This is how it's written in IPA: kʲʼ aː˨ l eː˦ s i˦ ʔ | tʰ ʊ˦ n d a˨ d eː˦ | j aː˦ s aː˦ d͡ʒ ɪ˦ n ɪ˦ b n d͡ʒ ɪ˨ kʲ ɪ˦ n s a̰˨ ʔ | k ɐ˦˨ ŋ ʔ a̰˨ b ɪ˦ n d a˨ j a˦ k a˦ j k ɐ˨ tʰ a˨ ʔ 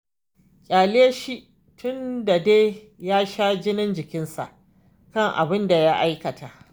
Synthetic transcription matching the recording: kʲʼ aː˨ l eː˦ ʃ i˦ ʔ | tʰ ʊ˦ n d a˨ d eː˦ | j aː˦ ʃ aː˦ d͡ʒ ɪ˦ n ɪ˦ n d͡ʒ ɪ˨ kʲ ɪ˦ n s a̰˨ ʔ | k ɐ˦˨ ŋ ʔ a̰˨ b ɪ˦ n d a˨ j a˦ ʔ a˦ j k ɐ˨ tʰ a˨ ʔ